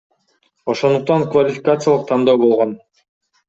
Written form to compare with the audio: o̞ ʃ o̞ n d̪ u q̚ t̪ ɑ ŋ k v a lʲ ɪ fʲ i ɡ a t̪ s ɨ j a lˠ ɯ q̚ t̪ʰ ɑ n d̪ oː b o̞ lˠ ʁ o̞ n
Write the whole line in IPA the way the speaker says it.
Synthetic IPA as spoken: o̞ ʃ o̞ n d̪ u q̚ t̪ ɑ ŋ k v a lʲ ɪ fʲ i k a t̪ s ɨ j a lˠ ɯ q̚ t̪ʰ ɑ n d̪ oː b o̞ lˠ ʁ o̞ n

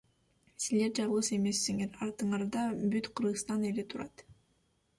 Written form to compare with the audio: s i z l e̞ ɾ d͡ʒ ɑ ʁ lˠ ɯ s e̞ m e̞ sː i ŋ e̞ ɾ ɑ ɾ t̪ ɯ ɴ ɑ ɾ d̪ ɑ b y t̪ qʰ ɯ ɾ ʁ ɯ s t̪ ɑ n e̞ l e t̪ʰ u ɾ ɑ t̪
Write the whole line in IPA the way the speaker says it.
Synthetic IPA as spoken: s i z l e̞ ɾ d͡ʒ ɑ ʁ lˠ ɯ s e̞ m e̞ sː i ŋ e̞ ɾ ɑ ɾ t̪ ɯ ɴ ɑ ɾ d̪ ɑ b y t̪ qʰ ɯ ɾ ʁ ɯ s t̪ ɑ n e̞ l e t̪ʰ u ɾ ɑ t̪

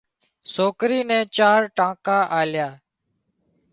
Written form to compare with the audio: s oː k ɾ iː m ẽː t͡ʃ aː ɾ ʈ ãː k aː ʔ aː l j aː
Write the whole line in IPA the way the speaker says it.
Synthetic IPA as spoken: s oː k ɾ iː n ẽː t͡ʃ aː ɾ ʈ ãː k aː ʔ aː l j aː

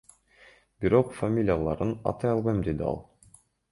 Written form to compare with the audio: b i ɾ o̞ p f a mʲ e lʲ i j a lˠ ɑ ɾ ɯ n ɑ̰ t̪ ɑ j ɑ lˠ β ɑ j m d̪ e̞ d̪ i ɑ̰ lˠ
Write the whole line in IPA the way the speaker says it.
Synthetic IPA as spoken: b i ɾ o̞ q f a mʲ i lʲ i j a lˠ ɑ ɾ ɯ n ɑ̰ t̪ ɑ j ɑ lˠ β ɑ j m d̪ e̞ d̪ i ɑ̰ lˠ

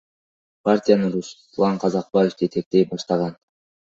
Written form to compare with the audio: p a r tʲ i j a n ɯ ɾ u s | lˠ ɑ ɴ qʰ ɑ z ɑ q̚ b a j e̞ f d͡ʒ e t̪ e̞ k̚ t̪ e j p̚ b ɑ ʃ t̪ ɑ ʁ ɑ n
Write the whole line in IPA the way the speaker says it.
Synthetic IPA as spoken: p a r tʲ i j a n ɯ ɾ u s | lˠ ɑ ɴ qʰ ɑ z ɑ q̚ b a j e̞ f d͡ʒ e t̪ e̞ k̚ t̪ e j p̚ b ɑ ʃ t̪ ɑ ʁ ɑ n

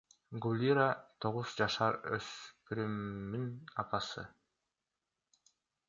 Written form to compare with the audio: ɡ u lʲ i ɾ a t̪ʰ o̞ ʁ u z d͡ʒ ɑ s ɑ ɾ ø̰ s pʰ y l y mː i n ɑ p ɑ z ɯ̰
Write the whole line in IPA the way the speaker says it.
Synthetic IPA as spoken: ɡ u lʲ i ɾ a t̪ʰ o̞ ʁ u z d͡ʒ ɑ ʃ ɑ ɾ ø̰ s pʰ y ɾ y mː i n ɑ p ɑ s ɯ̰

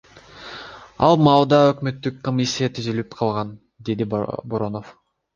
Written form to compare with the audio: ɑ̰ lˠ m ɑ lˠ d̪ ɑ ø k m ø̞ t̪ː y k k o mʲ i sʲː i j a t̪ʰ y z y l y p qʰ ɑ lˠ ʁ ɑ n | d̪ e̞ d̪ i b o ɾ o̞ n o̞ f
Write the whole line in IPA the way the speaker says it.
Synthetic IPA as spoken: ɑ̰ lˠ m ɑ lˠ d̪ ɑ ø k m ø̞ t̪ː y k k o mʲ i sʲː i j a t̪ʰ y z y l y p qʰ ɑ lˠ ʁ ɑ n | d̪ e̞ d̪ i b o ɾ o̞ n o̞ f

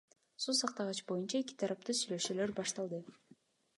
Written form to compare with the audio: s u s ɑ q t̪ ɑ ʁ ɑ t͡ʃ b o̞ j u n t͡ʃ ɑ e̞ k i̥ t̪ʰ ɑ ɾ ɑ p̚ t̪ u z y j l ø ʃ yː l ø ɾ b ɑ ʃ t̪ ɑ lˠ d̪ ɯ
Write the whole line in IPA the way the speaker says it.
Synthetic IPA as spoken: s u s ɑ q t̪ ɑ ʁ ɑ t͡ʃ b o̞ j u n t͡ʃ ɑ e̞ k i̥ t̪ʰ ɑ ɾ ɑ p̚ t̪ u s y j l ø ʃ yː l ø ɾ b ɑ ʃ t̪ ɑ lˠ d̪ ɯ

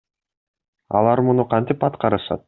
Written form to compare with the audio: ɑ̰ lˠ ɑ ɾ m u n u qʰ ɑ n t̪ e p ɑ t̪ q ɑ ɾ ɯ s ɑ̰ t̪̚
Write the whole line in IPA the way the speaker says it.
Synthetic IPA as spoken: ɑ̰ lˠ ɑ ɾ m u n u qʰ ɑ n t̪ i p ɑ t̪ q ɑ ɾ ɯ ʃ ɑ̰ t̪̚

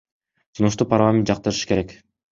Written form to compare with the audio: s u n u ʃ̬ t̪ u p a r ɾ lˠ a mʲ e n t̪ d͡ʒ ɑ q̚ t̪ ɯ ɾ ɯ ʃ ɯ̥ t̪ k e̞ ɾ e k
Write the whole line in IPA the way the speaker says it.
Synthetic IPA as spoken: s u n u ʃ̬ t̪ u p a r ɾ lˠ a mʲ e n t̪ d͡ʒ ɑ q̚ t̪ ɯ ɾ ɯ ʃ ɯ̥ k e̞ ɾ e k

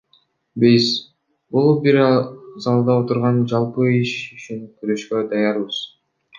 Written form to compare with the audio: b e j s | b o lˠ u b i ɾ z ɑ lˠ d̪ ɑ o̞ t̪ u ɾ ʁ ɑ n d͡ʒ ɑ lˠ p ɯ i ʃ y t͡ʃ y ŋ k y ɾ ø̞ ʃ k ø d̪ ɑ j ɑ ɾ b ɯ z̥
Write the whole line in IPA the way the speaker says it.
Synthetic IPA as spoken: b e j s | b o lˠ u b i ɾ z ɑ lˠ d̪ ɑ o̞ t̪ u ɾ ʁ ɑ n d͡ʒ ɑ lˠ p ɯ i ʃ y t͡ʃ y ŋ k y ɾ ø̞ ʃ k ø d̪ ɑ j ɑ ɾ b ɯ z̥

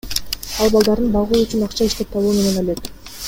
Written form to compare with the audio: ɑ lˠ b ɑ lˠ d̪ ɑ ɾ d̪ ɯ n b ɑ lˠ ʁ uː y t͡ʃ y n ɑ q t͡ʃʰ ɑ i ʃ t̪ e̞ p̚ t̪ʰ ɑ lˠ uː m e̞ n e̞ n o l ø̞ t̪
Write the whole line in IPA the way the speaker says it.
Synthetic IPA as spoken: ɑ lˠ b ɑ lˠ d̪ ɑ ɾ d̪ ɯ n b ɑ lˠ ʁ uː y t͡ʃ y n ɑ q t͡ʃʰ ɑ i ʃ t̪ e̞ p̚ t̪ʰ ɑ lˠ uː m e̞ n e̞ n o l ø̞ t̪

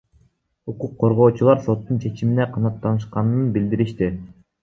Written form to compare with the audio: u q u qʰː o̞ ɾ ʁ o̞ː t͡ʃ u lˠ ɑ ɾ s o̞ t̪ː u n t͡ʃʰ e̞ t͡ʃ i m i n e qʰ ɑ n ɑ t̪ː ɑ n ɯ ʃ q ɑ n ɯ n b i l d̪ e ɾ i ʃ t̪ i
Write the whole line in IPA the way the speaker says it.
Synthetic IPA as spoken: u q u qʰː o̞ ɾ ʁ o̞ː t͡ʃ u lˠ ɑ ɾ s o̞ t̪ː u n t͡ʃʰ e̞ t͡ʃ i m i n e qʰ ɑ n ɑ t̪ː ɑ n ɯ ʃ q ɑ n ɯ n b i l d̪ i ɾ i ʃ t̪ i

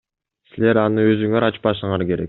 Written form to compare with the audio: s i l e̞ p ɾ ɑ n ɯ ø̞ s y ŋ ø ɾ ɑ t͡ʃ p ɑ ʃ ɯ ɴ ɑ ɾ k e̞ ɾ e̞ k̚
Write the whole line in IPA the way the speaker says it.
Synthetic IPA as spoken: s i l e̞ ɾ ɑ n ɯ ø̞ z y ŋ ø ɾ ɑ t͡ʃ p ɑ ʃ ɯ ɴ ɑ ɾ k e̞ ɾ e̞ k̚

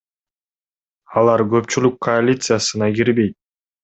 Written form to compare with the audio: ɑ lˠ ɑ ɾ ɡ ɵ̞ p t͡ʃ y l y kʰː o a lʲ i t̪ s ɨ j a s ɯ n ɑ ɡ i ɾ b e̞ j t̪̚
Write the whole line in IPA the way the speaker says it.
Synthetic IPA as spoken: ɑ lˠ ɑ ɾ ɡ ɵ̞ p t͡ʃ y l y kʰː o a lʲ i t̪ s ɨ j a s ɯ n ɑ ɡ i ɾ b e̞ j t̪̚

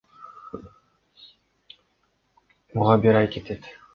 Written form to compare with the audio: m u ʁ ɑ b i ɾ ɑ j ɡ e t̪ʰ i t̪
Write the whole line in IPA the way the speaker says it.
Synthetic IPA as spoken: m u ʁ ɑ b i ɾ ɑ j k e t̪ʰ e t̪

